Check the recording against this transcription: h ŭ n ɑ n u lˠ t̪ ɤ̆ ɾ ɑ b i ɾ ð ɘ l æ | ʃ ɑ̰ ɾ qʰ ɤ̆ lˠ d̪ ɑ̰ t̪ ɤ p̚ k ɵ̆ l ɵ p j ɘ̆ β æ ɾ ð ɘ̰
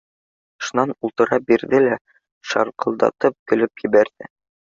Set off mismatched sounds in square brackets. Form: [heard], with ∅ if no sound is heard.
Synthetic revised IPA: [ʃ] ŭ n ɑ n u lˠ t̪ ɤ̆ ɾ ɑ b i ɾ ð ɘ l æ | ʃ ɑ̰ ɾ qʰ ɤ̆ lˠ d̪ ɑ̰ t̪ ɤ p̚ k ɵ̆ l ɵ p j ɘ̆ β æ ɾ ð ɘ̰